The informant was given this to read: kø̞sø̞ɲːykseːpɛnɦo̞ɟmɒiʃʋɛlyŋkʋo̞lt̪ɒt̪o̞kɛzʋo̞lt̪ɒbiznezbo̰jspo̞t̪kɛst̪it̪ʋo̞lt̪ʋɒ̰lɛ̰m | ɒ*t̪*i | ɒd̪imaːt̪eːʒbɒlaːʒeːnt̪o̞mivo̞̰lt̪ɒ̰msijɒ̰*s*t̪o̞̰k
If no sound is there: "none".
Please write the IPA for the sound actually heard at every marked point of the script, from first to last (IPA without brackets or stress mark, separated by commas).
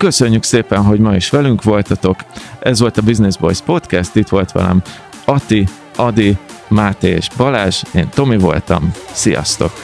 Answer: t̪, s